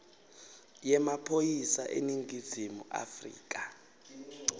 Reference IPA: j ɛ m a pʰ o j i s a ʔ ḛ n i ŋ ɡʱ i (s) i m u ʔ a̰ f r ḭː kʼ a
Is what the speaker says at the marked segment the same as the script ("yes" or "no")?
no